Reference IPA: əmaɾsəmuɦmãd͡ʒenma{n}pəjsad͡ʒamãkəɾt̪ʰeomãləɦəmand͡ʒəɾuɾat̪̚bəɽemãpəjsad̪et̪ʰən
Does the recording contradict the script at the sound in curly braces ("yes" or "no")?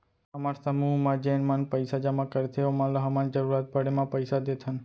no